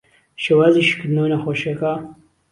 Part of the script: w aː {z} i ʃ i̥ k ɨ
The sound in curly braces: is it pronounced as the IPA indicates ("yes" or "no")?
yes